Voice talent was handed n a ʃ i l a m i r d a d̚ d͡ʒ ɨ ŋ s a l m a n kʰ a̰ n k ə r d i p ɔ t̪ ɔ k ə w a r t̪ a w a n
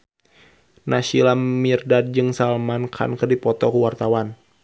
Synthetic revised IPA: n a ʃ i l a m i r d a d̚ d͡ʒ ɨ ŋ s a l m a n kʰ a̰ n k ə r d i p ɔ t̪ ɔ k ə w a r t̪ a w a n